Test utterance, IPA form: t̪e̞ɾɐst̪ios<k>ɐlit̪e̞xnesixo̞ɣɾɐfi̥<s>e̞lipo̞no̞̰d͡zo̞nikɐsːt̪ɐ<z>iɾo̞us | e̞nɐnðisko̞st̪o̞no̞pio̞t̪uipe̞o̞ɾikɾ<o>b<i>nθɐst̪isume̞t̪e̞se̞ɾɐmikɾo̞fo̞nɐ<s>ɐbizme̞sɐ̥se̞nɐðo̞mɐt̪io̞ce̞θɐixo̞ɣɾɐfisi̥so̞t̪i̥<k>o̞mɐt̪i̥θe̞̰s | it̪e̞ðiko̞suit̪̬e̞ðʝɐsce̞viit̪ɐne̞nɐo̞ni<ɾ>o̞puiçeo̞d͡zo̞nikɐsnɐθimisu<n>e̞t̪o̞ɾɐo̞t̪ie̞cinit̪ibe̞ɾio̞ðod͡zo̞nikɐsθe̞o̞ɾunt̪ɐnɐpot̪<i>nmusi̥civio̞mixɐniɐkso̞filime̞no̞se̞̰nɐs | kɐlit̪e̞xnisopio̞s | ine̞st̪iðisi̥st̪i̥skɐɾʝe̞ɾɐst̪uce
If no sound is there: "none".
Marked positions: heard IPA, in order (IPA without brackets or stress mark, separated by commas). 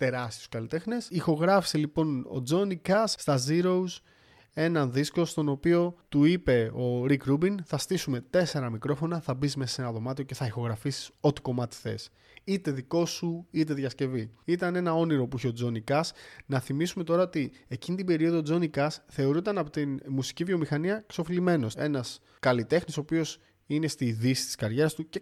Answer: k, s, z, u, i, θ, k, ɾ, m, i